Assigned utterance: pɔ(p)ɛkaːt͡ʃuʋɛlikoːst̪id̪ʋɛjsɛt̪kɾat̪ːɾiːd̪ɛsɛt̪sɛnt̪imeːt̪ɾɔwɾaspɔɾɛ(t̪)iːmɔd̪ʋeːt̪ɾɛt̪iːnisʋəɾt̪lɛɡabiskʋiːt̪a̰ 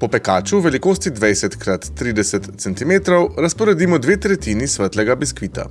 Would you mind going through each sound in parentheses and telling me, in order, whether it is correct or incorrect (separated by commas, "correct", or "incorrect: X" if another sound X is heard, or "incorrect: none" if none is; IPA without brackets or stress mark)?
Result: correct, incorrect: d̪